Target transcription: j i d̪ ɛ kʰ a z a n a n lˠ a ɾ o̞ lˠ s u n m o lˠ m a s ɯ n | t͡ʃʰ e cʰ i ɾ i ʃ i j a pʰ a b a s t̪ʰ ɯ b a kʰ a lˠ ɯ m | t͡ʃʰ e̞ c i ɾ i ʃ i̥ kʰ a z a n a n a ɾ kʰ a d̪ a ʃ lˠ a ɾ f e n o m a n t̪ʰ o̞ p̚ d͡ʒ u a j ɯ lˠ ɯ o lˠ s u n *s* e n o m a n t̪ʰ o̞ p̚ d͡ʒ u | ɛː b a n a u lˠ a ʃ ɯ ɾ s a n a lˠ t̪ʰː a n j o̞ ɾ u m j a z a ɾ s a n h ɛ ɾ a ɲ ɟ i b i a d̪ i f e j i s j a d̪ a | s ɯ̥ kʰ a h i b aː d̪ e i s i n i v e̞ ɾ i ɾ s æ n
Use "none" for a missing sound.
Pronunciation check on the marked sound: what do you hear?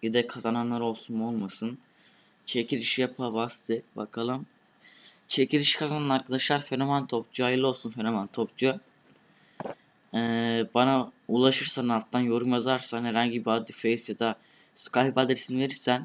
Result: f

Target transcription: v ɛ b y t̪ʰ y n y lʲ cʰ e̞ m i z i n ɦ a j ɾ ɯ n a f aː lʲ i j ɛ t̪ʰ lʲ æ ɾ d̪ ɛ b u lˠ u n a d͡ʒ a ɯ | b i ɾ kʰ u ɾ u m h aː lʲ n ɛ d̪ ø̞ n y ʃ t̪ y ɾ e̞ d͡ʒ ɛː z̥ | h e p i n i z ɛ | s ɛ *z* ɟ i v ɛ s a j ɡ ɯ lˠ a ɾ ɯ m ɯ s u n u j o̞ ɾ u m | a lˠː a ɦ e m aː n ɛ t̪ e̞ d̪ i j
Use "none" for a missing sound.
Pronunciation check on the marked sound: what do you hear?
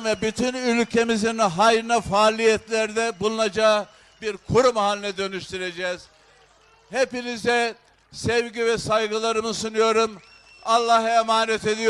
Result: v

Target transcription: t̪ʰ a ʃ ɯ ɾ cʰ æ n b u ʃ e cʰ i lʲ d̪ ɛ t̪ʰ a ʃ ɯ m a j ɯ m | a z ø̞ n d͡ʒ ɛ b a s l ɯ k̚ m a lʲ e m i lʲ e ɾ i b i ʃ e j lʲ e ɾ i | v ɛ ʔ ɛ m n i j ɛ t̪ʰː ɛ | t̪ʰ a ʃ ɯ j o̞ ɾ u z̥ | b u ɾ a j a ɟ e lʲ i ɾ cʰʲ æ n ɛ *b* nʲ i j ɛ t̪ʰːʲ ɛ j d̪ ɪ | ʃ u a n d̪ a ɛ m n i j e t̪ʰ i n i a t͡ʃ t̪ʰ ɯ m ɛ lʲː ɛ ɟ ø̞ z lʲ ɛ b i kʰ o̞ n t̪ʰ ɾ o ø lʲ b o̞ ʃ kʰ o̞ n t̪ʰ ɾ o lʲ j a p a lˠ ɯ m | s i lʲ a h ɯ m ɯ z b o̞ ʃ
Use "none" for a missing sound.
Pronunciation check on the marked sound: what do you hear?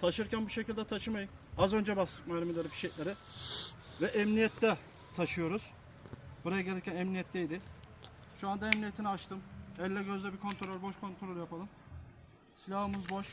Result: m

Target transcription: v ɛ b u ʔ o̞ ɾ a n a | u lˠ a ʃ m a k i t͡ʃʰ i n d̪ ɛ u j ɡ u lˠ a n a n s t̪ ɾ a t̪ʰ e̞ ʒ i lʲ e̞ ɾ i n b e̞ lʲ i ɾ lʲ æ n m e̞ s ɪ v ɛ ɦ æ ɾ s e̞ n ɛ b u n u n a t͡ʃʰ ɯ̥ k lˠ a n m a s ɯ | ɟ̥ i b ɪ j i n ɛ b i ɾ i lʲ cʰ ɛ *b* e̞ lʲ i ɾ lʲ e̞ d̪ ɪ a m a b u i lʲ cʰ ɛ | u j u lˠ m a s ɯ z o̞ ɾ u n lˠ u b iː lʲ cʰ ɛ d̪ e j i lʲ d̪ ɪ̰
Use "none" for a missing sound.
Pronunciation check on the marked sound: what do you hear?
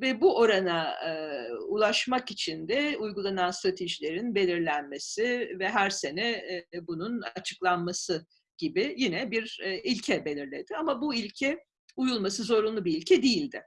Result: b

